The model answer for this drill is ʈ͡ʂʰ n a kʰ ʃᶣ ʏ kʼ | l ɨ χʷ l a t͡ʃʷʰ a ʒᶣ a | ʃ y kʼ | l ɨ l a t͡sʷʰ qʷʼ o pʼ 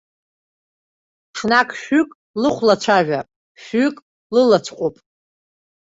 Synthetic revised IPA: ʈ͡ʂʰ n a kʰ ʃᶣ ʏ kʼ | l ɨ χʷ l a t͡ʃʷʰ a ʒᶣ a | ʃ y kʼ | l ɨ l a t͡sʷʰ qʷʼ o pʼ